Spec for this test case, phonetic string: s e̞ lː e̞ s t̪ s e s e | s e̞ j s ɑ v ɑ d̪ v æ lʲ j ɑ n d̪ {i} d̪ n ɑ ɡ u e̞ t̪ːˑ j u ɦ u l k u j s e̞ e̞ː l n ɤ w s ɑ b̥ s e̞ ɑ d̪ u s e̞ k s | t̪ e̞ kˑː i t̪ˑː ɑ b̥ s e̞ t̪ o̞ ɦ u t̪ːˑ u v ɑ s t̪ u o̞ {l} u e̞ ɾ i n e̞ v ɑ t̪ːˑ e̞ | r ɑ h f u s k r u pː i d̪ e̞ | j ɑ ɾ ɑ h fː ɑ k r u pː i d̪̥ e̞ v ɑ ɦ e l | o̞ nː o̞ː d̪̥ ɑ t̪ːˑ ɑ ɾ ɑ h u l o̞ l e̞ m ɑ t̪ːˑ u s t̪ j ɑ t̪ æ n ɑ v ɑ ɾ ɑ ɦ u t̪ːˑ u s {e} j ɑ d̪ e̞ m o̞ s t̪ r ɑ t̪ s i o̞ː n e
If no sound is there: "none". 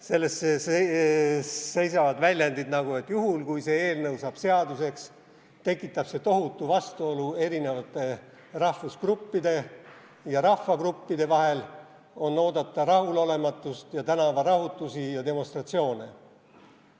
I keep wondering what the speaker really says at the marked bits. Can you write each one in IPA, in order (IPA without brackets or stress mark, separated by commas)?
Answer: i, l, i